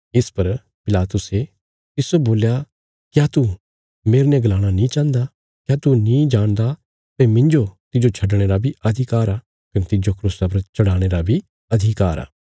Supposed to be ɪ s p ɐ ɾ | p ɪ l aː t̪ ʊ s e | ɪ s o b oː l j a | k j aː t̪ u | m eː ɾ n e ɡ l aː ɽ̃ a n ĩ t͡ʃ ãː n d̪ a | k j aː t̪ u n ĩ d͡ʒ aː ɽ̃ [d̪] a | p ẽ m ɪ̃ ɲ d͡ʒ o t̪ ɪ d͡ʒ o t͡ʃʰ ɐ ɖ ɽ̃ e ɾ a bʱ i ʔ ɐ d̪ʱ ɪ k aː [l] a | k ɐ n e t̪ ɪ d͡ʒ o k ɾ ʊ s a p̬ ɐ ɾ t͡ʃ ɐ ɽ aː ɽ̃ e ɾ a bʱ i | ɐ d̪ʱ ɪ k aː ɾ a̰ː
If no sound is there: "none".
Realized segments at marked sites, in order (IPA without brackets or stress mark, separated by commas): d̪, ɾ